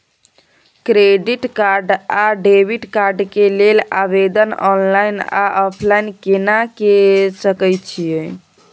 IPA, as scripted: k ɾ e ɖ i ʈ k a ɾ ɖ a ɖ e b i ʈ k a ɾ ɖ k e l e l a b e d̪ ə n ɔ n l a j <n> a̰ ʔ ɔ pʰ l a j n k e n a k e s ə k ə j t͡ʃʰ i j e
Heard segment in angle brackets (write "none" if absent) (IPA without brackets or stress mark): n